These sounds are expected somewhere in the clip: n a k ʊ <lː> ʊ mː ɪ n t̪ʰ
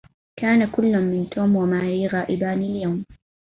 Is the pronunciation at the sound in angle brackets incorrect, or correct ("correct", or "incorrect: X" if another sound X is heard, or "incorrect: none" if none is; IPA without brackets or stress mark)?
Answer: correct